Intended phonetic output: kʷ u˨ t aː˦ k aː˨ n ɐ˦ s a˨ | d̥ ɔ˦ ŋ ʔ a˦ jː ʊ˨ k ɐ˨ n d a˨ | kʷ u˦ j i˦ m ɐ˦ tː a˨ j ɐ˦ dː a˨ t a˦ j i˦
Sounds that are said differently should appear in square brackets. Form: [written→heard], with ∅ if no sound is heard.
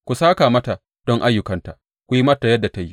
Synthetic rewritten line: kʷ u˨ [t→s] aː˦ k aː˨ [n→m] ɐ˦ [s→t] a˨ | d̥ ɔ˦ ŋ ʔ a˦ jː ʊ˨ k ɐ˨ n [d→t] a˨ | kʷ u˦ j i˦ m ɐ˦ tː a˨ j ɐ˦ dː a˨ t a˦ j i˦